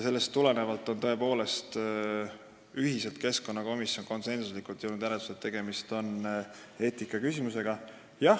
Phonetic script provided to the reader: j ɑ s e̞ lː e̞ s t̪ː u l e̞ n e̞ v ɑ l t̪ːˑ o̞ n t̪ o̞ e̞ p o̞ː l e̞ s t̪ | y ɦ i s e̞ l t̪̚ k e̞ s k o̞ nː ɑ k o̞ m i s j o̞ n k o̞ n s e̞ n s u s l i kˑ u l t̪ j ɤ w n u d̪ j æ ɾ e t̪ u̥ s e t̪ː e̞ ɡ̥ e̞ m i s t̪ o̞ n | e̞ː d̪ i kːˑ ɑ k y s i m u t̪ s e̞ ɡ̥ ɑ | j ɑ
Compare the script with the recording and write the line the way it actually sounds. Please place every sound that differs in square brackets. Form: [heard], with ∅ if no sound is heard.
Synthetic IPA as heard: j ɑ s e̞ lː e̞ s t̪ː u l e̞ n e̞ v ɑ l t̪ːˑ o̞ n t̪ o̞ e̞ p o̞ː l e̞ s t̪ | y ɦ i s e̞ l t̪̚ k e̞ s k o̞ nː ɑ k o̞ m i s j o̞ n k o̞ n s e̞ n s u s l i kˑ u l t̪ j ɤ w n u d̪ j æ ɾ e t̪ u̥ s e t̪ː e̞ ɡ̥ e̞ m i s t̪ o̞ n | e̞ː [t̪] i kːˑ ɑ k y s i m u [∅] s e̞ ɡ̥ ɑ | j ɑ